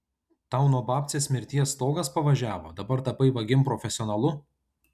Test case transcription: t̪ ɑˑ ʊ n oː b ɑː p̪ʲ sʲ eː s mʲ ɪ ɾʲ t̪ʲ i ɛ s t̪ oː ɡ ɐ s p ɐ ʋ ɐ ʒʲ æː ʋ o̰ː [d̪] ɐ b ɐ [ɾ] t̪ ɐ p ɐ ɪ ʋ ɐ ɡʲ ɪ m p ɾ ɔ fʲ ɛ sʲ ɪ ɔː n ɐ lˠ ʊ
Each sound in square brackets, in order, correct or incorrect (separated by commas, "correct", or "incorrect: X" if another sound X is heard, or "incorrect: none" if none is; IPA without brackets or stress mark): correct, correct